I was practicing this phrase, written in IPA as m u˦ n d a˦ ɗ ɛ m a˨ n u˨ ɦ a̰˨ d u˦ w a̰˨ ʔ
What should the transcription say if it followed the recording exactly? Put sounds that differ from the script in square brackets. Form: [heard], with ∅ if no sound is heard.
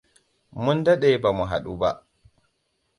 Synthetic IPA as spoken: m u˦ n d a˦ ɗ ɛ [b] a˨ [m] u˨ ɦ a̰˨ [ɗ] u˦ [b] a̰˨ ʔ